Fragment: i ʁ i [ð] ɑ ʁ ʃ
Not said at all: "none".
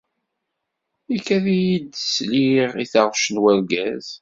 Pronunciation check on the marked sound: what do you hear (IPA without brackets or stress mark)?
θ